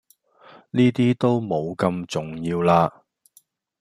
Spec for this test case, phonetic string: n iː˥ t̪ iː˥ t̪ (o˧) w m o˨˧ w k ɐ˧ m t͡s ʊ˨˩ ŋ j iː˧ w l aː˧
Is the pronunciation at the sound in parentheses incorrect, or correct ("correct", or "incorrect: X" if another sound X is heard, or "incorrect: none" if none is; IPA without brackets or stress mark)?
incorrect: o˥